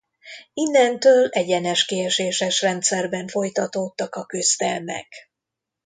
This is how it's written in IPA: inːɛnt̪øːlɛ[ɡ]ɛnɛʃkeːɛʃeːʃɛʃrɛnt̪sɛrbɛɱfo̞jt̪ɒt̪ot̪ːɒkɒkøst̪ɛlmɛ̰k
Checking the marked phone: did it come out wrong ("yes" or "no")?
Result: yes